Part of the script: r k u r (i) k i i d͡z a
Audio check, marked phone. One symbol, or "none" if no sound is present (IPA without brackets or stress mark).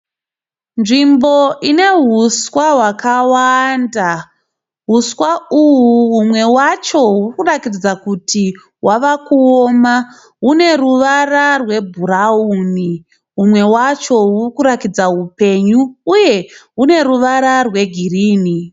a